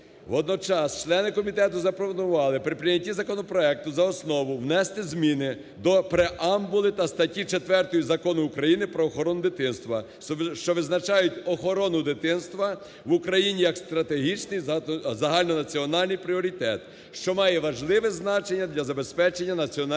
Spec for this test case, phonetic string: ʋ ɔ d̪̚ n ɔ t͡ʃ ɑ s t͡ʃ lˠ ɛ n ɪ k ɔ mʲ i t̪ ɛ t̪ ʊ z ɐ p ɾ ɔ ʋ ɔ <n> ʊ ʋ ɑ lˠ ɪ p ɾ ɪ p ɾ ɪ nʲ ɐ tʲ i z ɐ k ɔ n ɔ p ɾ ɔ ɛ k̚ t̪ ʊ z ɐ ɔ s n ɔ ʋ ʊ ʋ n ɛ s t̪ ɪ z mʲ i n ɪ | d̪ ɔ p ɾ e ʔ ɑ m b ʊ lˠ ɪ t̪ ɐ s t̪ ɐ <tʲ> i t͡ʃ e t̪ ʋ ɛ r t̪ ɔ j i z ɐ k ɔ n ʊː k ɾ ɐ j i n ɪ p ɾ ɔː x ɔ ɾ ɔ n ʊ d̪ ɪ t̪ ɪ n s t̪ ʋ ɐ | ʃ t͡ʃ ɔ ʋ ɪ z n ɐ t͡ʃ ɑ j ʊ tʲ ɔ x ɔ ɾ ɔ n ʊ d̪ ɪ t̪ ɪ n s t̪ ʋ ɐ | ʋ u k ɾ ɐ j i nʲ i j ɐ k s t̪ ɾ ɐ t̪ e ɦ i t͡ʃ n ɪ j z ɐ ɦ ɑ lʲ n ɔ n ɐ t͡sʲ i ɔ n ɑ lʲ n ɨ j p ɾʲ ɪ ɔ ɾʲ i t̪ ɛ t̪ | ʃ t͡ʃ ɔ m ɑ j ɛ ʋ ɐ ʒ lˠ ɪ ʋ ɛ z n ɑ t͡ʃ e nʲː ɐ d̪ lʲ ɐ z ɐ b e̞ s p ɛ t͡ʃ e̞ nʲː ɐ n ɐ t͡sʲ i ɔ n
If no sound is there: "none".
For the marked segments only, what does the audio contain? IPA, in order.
n, tʲ

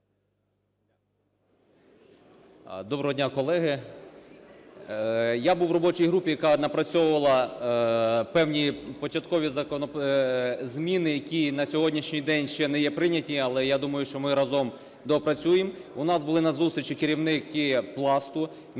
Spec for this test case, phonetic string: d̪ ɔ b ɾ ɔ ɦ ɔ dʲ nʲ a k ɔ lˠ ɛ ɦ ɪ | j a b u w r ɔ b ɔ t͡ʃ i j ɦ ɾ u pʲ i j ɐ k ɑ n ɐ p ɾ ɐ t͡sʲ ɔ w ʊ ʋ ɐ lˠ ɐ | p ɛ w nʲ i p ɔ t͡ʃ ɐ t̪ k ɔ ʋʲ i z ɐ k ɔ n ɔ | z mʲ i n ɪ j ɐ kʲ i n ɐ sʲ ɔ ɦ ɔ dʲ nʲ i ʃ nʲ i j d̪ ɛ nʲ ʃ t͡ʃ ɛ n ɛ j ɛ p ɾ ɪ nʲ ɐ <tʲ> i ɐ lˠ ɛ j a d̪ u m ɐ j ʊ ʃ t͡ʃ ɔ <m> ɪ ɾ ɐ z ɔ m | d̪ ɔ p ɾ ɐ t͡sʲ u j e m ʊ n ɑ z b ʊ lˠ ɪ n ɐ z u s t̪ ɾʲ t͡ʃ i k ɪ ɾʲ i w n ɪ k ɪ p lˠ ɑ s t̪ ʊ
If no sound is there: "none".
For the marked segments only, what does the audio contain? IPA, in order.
tʲ, m

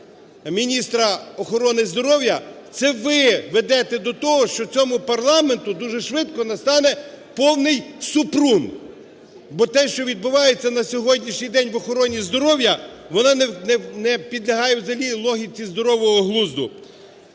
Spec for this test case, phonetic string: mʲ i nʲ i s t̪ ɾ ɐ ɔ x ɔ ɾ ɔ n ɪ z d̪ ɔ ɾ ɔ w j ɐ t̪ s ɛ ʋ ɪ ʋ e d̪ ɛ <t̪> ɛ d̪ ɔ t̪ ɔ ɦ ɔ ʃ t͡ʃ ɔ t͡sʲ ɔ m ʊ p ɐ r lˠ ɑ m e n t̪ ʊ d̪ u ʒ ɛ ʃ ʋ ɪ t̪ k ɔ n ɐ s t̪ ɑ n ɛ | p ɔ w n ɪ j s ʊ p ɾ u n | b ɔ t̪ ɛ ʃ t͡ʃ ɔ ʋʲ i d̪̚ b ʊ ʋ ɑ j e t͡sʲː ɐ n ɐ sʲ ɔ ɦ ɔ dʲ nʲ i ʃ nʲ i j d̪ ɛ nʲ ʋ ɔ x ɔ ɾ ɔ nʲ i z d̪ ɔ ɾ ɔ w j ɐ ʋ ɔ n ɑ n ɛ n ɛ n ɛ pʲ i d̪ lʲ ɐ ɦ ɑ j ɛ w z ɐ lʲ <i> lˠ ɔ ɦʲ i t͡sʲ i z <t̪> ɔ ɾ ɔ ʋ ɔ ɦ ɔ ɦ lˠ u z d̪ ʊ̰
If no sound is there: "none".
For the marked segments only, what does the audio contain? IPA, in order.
t̪, i, d̪

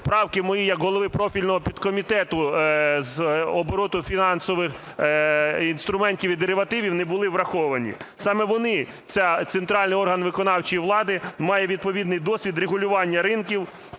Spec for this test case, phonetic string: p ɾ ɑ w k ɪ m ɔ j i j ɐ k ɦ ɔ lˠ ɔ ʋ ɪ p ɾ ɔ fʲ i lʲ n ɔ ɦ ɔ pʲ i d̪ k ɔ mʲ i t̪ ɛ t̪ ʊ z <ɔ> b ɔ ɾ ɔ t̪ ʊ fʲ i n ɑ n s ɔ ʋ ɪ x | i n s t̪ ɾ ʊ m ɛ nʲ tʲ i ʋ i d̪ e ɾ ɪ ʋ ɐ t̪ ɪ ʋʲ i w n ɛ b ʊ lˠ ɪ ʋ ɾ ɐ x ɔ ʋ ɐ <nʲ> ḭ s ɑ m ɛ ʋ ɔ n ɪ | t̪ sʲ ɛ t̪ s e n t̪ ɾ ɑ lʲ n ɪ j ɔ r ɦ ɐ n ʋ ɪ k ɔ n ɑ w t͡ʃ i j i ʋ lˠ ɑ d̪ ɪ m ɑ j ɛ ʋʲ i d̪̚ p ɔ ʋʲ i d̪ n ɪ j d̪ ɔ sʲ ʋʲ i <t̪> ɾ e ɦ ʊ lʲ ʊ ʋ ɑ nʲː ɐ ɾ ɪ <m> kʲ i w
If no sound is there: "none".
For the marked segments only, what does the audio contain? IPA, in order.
ɔ, nʲ, d̪, n

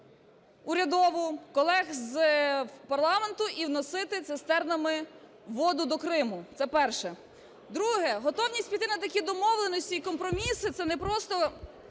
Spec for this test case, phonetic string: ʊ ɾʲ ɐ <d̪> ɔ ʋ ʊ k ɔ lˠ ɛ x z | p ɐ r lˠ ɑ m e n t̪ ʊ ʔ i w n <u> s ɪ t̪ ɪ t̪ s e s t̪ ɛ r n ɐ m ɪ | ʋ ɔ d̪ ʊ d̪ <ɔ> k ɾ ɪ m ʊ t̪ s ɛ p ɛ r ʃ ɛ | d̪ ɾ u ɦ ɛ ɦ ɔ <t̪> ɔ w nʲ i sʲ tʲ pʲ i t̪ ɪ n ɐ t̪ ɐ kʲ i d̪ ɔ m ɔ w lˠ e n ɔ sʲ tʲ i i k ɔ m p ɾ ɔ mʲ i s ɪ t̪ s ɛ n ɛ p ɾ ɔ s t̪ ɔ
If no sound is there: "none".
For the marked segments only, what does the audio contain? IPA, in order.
d̪, ɔ, ɔ, t̪

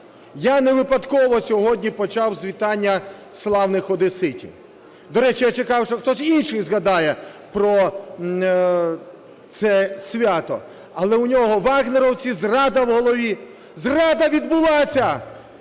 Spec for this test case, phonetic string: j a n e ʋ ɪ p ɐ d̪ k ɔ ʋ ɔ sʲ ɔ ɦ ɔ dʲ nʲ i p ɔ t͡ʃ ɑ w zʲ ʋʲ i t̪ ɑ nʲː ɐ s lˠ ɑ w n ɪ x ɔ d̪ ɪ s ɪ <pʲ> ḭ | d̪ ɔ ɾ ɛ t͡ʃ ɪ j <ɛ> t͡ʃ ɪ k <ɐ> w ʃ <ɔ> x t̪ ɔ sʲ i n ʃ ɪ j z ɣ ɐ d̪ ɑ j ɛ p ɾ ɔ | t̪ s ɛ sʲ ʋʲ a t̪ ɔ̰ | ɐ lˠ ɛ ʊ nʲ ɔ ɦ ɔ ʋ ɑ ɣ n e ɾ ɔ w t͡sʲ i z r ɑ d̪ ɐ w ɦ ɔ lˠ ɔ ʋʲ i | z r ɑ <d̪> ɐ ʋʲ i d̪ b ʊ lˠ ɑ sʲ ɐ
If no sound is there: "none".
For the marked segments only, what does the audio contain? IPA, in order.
tʲ, a, ɑ, ɔ, d̪

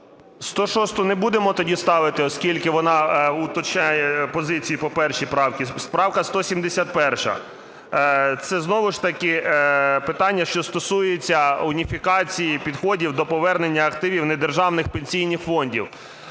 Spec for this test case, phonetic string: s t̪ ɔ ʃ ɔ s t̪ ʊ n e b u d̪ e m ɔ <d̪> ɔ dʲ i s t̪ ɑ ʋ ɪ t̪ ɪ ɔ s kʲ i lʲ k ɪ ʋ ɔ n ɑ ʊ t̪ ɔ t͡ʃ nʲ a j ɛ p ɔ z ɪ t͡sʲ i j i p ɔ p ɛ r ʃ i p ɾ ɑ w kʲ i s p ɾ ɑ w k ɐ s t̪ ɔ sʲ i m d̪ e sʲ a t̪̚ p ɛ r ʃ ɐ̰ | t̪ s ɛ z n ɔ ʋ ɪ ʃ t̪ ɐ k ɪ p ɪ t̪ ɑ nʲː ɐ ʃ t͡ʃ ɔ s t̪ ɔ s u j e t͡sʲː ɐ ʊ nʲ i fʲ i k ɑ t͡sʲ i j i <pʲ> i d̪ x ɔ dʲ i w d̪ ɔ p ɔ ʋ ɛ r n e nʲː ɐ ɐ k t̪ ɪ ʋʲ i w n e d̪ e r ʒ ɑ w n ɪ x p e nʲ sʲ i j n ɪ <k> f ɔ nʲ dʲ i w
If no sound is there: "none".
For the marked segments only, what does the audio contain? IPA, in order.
t̪, pʲ, x

